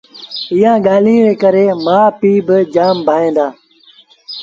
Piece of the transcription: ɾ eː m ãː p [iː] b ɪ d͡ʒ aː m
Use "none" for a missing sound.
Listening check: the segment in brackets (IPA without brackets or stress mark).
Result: iː